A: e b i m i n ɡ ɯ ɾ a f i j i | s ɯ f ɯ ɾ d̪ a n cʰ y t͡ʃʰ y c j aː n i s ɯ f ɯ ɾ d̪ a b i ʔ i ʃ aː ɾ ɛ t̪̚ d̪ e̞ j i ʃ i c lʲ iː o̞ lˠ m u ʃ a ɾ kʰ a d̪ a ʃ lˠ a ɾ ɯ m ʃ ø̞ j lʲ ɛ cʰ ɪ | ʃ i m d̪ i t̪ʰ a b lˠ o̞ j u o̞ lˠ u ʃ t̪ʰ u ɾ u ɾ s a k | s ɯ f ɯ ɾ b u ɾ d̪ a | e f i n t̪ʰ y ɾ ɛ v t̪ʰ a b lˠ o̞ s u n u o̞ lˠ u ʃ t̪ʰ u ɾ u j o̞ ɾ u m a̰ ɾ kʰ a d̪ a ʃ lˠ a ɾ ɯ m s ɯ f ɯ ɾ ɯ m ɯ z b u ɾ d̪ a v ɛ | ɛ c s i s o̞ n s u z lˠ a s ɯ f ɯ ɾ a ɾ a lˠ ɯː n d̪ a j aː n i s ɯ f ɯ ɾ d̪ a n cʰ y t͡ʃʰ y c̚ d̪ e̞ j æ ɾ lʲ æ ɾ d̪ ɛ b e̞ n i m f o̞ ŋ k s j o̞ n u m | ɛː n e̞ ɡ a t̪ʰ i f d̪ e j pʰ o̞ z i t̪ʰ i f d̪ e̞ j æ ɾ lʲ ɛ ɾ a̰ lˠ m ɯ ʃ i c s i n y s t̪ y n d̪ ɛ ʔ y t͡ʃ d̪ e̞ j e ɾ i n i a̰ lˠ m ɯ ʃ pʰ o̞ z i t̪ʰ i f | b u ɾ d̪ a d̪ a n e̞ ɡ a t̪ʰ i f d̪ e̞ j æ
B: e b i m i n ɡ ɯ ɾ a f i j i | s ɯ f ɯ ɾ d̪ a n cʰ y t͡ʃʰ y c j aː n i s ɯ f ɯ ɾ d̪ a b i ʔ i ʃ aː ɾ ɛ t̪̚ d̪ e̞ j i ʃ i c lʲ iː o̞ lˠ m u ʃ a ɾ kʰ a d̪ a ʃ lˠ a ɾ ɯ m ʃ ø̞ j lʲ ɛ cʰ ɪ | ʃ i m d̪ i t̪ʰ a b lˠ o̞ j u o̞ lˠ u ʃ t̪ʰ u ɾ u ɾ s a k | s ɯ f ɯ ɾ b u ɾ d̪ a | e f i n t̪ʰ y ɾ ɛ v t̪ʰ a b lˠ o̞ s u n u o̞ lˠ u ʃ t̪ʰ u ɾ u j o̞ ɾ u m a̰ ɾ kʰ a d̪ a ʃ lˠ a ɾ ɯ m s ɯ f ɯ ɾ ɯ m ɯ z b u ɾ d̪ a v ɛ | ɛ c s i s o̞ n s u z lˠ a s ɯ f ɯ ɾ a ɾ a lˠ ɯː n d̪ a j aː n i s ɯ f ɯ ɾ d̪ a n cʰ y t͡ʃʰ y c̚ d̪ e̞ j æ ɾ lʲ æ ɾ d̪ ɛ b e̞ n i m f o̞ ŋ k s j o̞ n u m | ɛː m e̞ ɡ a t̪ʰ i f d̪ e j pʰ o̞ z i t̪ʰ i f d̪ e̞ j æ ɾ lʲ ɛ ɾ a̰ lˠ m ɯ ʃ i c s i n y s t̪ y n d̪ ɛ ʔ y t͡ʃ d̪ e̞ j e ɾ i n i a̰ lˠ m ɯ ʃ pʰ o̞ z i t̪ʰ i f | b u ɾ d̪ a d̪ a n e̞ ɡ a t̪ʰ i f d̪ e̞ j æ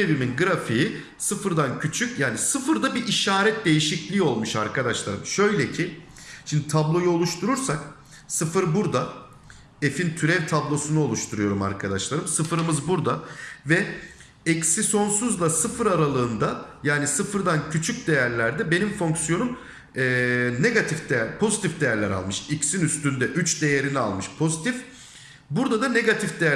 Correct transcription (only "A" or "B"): A